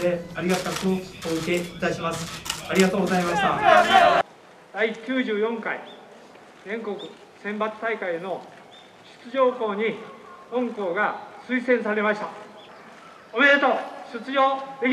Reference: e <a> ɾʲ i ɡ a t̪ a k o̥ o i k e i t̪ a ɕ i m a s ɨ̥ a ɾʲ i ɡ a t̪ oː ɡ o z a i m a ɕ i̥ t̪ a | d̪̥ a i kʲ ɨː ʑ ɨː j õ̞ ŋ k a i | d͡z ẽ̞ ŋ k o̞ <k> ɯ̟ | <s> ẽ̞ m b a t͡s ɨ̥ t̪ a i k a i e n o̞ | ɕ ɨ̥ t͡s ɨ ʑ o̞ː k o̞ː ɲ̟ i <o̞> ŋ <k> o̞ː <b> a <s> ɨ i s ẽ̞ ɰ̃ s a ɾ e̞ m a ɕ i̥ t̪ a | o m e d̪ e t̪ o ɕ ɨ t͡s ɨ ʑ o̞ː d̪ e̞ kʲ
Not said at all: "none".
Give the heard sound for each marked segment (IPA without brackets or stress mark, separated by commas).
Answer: a, k, s, õ̞, k, ɡ, s